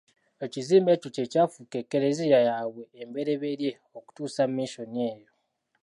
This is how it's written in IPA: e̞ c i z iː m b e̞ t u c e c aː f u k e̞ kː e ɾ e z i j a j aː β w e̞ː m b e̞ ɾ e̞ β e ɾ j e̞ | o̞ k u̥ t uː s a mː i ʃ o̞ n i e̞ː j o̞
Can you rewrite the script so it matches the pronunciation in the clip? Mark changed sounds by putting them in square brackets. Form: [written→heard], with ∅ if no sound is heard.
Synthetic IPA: e̞ c i z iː m b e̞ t u c e c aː f u k e̞ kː e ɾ e z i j a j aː β w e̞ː m b e̞ ɾ e̞ β e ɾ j e̞ | o̞ k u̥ t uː s a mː i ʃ o̞ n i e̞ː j o̞

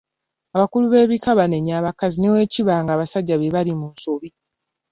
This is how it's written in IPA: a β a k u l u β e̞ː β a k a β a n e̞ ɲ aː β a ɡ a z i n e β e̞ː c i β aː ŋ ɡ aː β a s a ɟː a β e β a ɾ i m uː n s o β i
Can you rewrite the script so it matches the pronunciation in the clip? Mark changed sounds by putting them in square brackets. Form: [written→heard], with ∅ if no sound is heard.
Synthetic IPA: a β a k u l u β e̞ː β [a→i] k a β a n e̞ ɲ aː β a [ɡ→k] a z i n e [β→w] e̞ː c i β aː ŋ ɡ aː β a s a ɟː a β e β a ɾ i m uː n s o β i

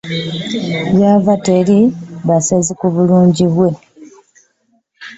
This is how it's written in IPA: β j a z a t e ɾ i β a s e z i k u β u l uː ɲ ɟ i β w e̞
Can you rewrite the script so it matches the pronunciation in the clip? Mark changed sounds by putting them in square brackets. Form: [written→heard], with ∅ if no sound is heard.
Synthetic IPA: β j a [z→v] a t e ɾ i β a s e z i k u β u l uː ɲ ɟ i β w e̞

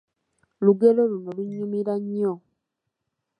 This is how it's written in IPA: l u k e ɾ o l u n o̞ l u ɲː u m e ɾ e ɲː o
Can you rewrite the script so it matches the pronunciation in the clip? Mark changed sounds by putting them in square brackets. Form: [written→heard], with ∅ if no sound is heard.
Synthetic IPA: l u [k→ɡ] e [ɾ→l] o l u n o̞ l u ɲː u m [e→i] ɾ [e→a] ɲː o

